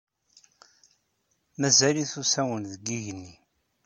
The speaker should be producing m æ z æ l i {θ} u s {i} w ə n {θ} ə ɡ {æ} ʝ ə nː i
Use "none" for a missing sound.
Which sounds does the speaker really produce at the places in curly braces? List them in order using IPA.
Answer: θ, æ, ð, i

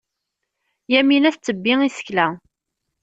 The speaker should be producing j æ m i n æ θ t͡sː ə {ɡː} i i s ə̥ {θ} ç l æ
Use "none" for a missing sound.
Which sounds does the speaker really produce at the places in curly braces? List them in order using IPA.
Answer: bː, none

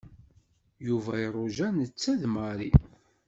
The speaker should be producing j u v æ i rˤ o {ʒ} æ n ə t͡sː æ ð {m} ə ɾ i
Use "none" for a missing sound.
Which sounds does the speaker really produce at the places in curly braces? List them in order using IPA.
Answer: ʒ, m

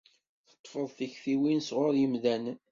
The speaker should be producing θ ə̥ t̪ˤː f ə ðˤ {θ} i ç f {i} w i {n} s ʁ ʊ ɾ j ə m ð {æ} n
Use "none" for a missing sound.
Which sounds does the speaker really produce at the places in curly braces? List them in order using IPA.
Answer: θ, i, n, æ

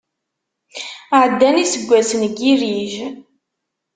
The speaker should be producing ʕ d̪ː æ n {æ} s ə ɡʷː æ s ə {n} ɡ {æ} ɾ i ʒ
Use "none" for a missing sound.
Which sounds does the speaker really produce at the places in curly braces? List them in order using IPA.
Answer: i, n, i

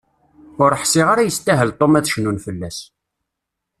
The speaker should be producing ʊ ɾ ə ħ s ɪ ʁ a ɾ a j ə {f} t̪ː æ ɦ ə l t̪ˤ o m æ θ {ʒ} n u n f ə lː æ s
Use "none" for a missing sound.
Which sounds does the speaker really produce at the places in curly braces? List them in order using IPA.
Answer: s, ʃ

